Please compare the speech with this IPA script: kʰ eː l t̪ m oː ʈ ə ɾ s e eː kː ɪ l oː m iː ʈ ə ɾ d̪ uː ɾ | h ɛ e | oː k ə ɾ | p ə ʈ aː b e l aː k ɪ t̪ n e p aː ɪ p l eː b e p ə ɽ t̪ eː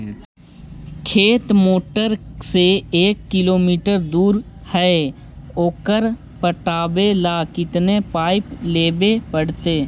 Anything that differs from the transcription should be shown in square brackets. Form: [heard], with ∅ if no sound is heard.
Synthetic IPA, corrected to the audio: kʰ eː [∅] t̪ m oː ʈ ə ɾ s e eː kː ɪ l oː m iː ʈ ə ɾ d̪ uː ɾ | h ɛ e | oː k ə ɾ | p ə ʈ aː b e l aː k ɪ t̪ n e p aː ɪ p l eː b e p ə ɽ t̪ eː